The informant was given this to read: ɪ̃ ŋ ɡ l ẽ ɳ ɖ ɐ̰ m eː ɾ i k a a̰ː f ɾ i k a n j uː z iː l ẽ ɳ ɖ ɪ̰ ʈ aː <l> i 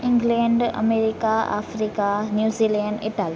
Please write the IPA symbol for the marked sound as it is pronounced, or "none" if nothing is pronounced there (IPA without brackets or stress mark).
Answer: l